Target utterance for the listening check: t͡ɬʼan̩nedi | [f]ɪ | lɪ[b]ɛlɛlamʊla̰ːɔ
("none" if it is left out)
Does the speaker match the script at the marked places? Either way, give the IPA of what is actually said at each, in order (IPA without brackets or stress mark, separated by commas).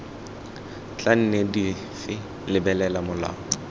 f, b